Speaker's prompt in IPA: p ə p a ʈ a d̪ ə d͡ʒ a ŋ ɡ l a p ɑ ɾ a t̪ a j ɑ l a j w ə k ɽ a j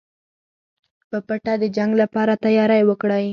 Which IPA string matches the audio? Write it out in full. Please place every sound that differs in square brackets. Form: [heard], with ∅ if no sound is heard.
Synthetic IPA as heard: p ə p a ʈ a d̪ ə d͡ʒ a ŋ ɡ l a p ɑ ɾ a t̪ a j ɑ [ɾ] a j w ə k ɽ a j